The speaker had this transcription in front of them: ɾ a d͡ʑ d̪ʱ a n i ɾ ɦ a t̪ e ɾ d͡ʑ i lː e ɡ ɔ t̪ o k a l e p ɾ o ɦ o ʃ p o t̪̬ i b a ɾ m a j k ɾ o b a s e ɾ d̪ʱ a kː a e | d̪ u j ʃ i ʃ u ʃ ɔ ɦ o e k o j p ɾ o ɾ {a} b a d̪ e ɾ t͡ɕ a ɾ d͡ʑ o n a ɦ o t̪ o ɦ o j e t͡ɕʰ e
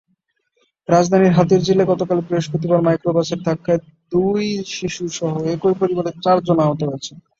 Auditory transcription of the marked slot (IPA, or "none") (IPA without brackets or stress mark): i